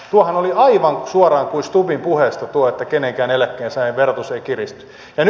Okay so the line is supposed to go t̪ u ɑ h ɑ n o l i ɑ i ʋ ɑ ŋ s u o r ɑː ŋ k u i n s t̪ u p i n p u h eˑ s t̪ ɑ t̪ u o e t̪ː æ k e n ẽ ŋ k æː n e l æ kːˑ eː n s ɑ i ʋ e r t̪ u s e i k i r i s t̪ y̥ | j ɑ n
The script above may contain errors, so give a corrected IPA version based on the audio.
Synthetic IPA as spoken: t̪ u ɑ h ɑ n o l i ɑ i ʋ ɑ ŋ s u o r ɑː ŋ k u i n s t̪ u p i m p u h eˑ s t̪ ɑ t̪ u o e t̪ː æ k e n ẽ ŋ k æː n e l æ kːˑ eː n s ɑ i ʋ e r t̪ u s e i k i r i s t̪ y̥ | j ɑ n